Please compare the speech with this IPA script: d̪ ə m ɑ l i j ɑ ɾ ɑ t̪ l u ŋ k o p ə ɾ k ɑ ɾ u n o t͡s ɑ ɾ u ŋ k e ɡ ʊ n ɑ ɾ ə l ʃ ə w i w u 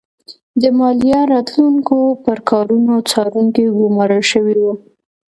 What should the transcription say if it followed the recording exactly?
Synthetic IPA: d̪ ə m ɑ l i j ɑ ɾ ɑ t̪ l u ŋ k o p ə ɾ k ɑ ɾ u n o t͡s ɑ ɾ u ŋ k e ɡ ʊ m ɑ ɾ ə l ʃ ə w i w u